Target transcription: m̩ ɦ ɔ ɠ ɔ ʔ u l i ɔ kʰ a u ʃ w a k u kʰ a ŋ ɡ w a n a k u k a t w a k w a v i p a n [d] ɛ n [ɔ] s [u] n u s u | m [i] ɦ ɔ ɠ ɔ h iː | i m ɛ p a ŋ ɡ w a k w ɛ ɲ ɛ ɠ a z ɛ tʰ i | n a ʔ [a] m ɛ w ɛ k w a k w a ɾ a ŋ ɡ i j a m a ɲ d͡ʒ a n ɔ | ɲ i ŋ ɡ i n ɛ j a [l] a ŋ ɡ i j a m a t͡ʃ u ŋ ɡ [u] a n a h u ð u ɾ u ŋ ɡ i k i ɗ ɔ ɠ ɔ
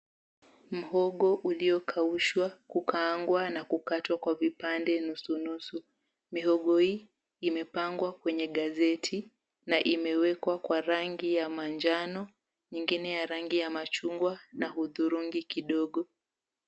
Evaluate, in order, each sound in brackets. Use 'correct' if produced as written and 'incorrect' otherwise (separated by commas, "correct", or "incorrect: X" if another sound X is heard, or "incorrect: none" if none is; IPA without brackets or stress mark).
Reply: correct, incorrect: u, correct, correct, incorrect: i, incorrect: ɾ, incorrect: w